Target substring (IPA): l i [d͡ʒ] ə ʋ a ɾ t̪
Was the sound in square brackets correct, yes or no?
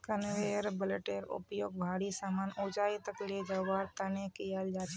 yes